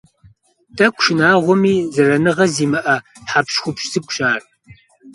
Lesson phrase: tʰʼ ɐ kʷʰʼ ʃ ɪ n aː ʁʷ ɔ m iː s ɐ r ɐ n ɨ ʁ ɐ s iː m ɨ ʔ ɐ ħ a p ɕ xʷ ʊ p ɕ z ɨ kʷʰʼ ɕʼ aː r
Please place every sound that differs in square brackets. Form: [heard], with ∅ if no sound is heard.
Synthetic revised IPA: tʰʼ ɐ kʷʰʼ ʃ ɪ n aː ʁʷ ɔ m iː [z] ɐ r ɐ n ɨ ʁ ɐ [z] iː m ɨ ʔ ɐ ħ a p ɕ xʷ ʊ p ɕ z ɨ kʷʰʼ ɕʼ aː r